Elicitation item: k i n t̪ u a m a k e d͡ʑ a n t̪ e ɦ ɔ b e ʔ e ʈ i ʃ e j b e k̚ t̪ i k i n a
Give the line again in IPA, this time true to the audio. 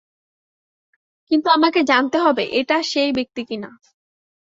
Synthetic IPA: k i n t̪ u a m a k e d͡ʑ a n t̪ e ɦ ɔ b e ʔ e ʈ a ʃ e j b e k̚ t̪ i k i n a